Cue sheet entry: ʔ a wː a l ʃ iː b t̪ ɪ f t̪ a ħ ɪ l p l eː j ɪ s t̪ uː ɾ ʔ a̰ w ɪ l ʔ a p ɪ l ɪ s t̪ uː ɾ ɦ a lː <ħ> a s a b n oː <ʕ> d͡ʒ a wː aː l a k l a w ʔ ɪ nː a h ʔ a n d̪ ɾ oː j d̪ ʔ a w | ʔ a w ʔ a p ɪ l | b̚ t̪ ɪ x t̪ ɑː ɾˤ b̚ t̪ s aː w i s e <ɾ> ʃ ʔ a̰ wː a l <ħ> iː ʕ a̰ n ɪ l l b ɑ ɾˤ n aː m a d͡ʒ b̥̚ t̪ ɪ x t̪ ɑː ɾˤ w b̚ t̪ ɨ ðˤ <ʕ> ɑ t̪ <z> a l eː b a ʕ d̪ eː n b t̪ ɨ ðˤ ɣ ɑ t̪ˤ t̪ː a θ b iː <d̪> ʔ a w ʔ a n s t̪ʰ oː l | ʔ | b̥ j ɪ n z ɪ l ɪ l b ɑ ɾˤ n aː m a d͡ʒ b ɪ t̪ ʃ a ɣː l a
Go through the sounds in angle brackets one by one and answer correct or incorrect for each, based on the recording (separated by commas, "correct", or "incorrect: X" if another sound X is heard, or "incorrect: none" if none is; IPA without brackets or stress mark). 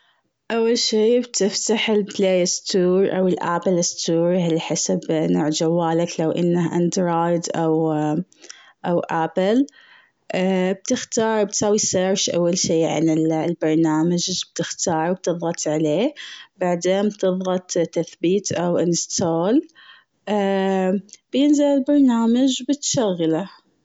correct, correct, correct, incorrect: ʃ, incorrect: ɣ, incorrect: ʕ, incorrect: t̪